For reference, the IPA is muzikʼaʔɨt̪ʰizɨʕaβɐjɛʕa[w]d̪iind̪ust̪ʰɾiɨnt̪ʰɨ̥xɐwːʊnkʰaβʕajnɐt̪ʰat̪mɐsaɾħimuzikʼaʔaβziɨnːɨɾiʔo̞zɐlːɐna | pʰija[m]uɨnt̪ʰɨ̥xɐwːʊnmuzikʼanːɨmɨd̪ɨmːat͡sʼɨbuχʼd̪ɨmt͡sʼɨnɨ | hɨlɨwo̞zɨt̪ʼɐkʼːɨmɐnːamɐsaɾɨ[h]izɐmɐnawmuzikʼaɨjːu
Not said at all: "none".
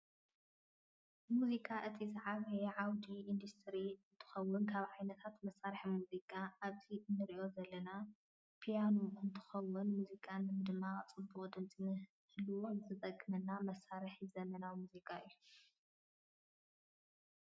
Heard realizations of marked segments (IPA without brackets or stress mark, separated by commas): w, n, ħ